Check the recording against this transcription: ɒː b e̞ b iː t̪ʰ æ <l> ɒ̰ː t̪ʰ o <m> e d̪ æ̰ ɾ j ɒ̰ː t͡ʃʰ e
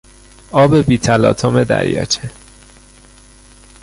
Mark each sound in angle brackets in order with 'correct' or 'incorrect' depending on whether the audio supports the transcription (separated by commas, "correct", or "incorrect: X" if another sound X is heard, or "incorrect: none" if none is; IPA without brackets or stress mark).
correct, correct